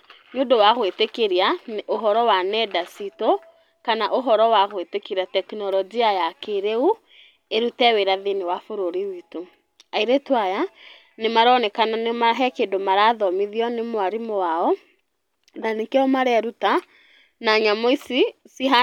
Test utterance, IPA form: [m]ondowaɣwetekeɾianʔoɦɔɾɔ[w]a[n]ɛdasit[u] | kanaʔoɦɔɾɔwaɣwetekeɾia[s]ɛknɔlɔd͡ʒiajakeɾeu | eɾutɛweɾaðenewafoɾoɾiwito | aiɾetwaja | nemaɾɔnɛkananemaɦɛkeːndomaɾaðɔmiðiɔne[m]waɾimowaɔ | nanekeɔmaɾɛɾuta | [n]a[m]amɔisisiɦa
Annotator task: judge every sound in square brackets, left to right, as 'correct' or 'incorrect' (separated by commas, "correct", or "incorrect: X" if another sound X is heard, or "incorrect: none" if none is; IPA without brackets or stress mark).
incorrect: ɲ, correct, correct, incorrect: o, incorrect: t, correct, correct, incorrect: ɲ